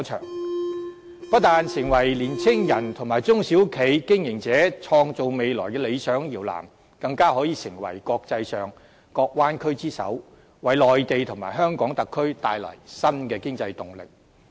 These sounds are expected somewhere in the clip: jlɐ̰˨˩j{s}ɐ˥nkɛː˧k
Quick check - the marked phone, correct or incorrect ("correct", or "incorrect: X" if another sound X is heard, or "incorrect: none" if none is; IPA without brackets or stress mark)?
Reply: correct